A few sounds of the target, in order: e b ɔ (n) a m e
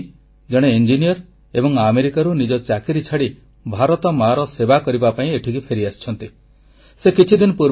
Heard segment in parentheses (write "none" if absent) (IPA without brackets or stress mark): ŋ